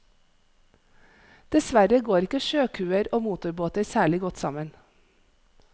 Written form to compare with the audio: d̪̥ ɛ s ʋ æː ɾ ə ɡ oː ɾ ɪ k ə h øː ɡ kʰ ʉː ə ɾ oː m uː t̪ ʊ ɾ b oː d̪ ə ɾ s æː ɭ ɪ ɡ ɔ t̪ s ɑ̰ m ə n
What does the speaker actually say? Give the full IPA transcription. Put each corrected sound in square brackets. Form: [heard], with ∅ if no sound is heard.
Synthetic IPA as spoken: d̪̥ ɛ s ʋ [æ] ɾ ə ɡ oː ɾ ɪ k ə [ʃ] øː [∅] kʰ ʉː ə ɾ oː m uː t̪ ʊ ɾ b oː [t̪] ə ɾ s æː ɭ ɪ ɡ ɔ t̪ s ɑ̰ m ə n